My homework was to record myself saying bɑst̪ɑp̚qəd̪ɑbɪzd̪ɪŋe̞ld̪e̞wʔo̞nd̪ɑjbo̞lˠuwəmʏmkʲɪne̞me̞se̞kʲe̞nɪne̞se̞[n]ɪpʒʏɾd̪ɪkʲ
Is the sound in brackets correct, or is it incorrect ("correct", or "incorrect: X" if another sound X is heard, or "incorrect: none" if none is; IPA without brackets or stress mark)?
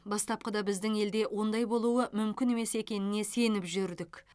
correct